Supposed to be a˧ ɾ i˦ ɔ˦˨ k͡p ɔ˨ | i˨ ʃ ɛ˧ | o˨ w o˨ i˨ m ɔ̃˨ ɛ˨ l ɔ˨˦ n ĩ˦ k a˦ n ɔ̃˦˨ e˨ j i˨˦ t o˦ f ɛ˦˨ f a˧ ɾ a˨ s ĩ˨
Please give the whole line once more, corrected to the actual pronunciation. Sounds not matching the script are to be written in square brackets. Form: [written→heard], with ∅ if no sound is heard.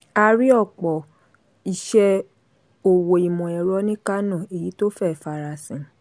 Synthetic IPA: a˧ ɾ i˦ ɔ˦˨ k͡p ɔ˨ | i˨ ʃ ɛ˧ | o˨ w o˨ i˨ m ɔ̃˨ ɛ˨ [l→ɾ] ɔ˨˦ n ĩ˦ k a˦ n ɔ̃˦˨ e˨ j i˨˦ t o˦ f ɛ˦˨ f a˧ ɾ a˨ s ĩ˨